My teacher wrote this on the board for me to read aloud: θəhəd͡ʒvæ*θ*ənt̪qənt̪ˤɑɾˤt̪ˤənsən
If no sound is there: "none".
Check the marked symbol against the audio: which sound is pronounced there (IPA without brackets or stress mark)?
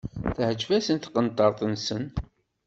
s